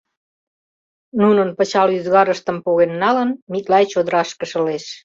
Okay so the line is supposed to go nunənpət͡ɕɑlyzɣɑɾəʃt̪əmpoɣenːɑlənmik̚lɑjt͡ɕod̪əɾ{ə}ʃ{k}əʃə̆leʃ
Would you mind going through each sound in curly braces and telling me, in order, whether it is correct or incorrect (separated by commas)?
incorrect, correct